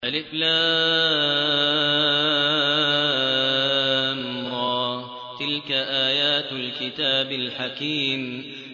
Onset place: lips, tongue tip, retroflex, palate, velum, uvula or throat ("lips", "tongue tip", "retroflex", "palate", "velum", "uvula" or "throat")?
throat